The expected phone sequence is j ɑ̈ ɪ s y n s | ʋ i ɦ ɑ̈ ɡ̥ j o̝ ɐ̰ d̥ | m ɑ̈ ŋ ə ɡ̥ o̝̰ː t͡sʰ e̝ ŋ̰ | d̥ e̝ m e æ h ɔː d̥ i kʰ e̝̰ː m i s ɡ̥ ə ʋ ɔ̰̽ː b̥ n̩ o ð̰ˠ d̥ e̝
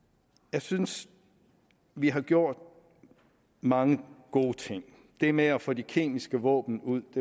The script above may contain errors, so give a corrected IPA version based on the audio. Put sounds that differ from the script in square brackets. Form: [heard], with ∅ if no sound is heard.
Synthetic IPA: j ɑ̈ ɪ s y n s | ʋ i ɦ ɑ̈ ɡ̥ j o̝ ɐ̰ d̥ | m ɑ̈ ŋ ə ɡ̥ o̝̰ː t͡sʰ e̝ ŋ̰ | d̥ e̝ m e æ [f] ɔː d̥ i kʰ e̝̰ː m i s ɡ̥ ə ʋ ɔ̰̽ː b̥ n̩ [u] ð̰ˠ d̥ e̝